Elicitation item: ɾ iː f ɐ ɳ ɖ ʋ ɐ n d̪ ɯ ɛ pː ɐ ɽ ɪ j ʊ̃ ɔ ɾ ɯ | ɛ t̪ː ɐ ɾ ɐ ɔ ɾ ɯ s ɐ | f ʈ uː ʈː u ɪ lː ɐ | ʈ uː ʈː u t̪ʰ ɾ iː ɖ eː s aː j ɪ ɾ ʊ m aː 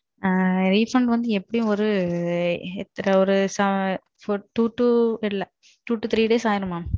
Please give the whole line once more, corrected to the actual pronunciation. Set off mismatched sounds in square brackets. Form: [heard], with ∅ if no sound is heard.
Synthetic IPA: ɾ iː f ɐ ɳ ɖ ʋ ɐ n d̪ ɯ ɛ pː ɐ ɽ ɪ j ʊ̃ ɔ ɾ ɯ | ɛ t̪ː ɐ ɾ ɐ ɔ ɾ ɯ s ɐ | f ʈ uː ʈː u ɪ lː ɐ | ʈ uː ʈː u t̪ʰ ɾ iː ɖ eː s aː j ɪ ɾ [ɯ] m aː

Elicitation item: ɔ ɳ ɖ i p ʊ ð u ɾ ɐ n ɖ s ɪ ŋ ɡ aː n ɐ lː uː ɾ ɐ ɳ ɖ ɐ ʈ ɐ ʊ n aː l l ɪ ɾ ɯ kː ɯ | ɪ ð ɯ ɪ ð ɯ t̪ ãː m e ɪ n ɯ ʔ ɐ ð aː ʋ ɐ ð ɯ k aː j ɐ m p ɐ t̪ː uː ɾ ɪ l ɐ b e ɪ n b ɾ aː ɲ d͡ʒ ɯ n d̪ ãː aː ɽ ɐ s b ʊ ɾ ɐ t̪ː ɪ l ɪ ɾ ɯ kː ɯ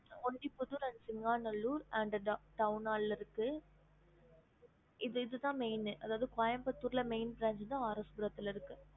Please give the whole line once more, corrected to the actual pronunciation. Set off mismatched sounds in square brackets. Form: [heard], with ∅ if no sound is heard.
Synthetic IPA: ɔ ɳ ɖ i p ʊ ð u ɾ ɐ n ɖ s ɪ ŋ ɡ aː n ɐ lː uː ɾ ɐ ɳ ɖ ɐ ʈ ɐ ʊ n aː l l ɪ ɾ ɯ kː ɯ | ɪ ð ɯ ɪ ð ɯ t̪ ãː m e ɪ n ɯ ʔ ɐ ð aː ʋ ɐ ð ɯ k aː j ɐ m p ɐ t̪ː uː ɾ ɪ l ɐ [m] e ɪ n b ɾ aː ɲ d͡ʒ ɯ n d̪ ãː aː [ɾ] ɐ s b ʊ ɾ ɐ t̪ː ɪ l ɪ ɾ ɯ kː ɯ

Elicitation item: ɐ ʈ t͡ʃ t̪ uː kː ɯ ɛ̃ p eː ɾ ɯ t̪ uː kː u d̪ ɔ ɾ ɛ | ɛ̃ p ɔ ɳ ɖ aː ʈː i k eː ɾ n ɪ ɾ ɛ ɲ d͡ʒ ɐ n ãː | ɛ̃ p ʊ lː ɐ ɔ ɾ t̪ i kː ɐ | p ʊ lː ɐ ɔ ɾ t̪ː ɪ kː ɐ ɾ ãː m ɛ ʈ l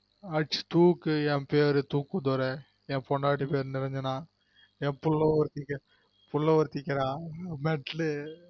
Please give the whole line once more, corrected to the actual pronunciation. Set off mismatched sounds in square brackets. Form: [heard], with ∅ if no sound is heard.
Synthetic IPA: ɐ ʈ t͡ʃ t̪ uː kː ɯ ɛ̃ p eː ɾ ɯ t̪ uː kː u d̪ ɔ ɾ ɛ | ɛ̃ p ɔ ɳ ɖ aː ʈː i [p] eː ɾ n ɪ ɾ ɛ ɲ d͡ʒ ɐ n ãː | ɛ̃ p ʊ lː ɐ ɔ ɾ t̪ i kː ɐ | p ʊ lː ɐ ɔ ɾ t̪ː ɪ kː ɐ ɾ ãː m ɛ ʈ l

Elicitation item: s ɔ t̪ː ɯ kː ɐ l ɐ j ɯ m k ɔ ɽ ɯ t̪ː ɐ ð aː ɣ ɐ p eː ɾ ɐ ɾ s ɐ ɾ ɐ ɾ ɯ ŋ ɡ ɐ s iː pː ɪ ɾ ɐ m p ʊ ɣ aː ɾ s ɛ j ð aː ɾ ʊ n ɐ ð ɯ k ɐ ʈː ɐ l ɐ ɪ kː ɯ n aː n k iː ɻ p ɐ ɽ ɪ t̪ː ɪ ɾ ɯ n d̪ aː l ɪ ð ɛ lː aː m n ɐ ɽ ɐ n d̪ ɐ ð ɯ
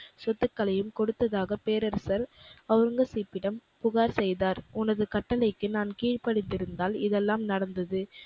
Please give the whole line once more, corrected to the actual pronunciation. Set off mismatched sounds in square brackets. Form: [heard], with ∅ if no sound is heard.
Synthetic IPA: s ɔ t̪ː ɯ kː ɐ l ɐ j ɯ m k ɔ ɽ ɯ t̪ː ɐ ð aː ɣ ɐ p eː ɾ ɐ ɾ s ɐ ɾ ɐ ɾ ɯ ŋ ɡ ɐ s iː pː ɪ [ɽ] ɐ m p ʊ ɣ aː ɾ s ɛ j ð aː ɾ ʊ n ɐ ð ɯ k ɐ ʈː ɐ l ɐ ɪ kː ɯ n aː n k iː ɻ p ɐ ɽ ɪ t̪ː ɪ ɾ ɯ n d̪ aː l ɪ ð ɛ lː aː m n ɐ ɽ ɐ n d̪ ɐ ð ɯ

